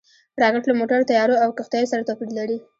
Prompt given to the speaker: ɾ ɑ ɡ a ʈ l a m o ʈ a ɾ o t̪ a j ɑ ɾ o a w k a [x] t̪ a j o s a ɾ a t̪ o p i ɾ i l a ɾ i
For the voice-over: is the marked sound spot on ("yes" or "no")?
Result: yes